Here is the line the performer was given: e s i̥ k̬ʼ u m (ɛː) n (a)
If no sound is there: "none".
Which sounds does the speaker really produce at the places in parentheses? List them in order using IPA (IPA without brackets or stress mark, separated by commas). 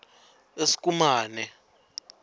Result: aː, ɛ